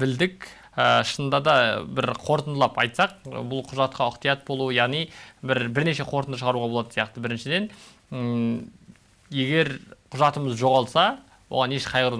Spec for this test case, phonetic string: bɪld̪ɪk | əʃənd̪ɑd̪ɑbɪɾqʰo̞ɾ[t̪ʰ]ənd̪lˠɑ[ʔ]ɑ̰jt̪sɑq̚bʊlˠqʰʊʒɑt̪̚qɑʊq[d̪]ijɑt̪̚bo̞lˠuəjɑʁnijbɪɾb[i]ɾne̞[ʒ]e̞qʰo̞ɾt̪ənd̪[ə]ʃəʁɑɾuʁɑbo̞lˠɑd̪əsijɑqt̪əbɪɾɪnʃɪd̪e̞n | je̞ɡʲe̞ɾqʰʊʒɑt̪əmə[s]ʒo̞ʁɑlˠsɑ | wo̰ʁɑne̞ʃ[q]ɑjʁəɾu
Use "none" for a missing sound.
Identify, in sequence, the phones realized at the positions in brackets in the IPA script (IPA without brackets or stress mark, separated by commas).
t̪, p, t̪, ɪ, ʃ, ə, z, qʰ